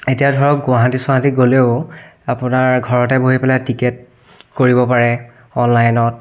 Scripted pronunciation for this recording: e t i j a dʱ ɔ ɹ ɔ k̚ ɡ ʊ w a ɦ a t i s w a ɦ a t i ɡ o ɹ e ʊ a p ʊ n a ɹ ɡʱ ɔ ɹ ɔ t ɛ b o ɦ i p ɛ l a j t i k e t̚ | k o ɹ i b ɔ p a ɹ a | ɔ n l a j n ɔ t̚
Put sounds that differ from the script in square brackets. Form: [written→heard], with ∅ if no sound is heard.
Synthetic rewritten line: e t i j a dʱ ɔ ɹ ɔ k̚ ɡ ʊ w a ɦ a t i s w a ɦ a t i ɡ o [ɹ→l] e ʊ a p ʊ n a ɹ ɡʱ ɔ ɹ ɔ t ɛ b o ɦ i p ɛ l a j t i k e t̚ | k o ɹ i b ɔ p a ɹ [a→ɛ] | ɔ n l a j n ɔ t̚